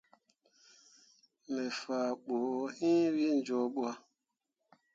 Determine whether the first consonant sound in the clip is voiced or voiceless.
voiced